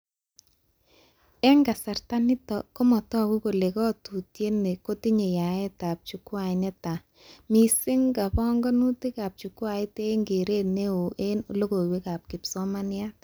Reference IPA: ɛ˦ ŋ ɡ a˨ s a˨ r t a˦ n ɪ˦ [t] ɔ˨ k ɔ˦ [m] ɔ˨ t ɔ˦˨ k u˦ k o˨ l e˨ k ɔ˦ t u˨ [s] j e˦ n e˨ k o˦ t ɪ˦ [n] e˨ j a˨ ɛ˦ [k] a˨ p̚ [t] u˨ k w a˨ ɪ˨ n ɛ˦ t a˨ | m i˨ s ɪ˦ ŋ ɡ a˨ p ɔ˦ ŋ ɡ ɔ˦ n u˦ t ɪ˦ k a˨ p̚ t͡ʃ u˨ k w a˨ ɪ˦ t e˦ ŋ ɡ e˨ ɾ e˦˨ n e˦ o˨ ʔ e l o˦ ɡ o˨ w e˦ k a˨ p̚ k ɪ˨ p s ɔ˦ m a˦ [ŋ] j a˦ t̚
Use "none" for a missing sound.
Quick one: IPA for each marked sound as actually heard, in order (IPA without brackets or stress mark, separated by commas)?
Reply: t, m, t, ɲ, t, t͡ʃ, n